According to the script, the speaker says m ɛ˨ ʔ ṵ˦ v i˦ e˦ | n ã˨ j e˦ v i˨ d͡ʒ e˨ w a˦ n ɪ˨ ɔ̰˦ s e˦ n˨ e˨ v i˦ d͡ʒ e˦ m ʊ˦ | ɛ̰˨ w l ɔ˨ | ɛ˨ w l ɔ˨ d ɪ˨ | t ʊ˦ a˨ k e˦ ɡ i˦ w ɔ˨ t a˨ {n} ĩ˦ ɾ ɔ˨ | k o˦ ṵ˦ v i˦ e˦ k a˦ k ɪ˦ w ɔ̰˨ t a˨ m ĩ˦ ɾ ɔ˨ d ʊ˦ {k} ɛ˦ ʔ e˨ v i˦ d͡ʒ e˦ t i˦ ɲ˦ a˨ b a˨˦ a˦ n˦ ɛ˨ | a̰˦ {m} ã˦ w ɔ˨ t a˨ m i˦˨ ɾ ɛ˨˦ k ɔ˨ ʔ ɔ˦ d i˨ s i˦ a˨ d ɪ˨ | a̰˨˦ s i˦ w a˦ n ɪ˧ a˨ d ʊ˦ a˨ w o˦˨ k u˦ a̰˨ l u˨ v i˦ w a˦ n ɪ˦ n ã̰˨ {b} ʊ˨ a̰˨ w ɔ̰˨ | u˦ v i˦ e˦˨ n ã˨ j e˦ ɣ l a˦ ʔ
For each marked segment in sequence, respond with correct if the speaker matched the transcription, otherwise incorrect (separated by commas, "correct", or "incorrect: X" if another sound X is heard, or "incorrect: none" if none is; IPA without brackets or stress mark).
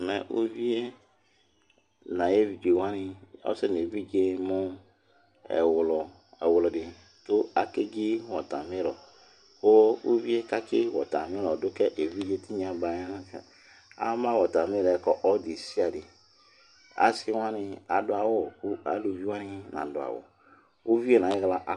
incorrect: m, correct, correct, incorrect: d